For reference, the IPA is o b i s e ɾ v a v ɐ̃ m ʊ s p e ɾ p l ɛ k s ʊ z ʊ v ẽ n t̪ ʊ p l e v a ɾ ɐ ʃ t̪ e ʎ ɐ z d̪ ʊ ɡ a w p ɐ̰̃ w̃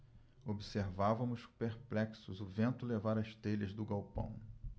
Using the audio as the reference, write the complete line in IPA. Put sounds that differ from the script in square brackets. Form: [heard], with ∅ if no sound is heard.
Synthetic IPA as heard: o b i s e ɾ v a v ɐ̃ m ʊ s p e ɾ p l ɛ k s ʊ z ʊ v ẽ n t̪ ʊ [∅] l e v a ɾ ɐ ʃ t̪ e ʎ ɐ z d̪ ʊ ɡ a w p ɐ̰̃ w̃